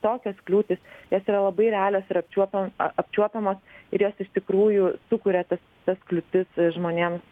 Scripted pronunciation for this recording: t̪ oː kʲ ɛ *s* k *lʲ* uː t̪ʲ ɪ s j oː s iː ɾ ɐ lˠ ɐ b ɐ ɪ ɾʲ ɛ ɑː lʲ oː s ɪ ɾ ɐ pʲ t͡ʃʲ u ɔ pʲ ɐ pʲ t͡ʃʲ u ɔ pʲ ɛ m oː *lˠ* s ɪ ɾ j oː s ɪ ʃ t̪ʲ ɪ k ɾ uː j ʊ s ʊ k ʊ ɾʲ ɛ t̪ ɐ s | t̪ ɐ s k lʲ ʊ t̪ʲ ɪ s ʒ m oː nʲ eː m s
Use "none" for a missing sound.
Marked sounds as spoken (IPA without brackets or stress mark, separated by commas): s, lʲ, none